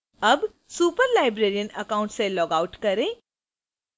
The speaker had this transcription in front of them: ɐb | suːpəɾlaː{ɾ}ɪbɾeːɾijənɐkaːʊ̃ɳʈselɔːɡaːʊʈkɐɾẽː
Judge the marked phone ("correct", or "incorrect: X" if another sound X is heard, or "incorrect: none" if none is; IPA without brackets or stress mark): incorrect: none